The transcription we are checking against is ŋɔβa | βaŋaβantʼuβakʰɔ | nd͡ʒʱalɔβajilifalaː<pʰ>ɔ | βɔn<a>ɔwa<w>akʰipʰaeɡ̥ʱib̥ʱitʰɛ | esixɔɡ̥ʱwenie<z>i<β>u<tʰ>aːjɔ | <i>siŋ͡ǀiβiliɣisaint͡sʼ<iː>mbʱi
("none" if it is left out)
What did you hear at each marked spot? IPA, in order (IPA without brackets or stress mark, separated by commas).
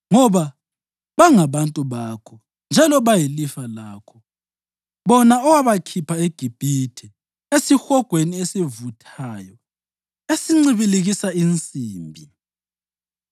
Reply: kʰ, a, β, s, v, tʰ, e, iː